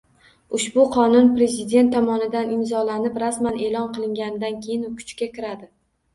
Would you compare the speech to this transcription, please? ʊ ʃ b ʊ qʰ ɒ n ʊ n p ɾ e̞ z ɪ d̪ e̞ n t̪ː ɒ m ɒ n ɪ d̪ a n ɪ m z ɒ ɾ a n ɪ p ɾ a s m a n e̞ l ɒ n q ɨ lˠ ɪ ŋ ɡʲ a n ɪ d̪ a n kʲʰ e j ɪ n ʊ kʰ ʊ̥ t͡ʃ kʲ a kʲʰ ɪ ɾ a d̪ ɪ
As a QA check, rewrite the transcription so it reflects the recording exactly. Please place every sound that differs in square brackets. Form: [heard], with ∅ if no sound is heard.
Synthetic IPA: ʊ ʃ b ʊ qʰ ɒ n ʊ n p ɾ e̞ z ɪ d̪ e̞ n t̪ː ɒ m ɒ n ɪ d̪ a n ɪ m z ɒ [l] a n ɪ p ɾ a s m a n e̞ l ɒ n q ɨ lˠ ɪ ŋ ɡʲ a n ɪ d̪ a n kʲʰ e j ɪ n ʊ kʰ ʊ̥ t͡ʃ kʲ a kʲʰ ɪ ɾ a d̪ ɪ